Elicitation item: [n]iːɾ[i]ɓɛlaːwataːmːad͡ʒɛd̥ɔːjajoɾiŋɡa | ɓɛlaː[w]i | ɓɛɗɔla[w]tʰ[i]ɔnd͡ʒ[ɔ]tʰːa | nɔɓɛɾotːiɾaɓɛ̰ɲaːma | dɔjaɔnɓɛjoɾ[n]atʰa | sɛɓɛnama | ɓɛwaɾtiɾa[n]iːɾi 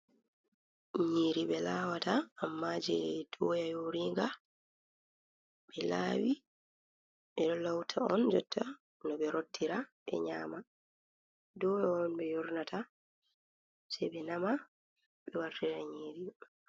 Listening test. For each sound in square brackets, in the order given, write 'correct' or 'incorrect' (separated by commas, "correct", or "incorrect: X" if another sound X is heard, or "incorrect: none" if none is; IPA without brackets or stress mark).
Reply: incorrect: ɲ, correct, correct, correct, incorrect: a, correct, correct, incorrect: ɲ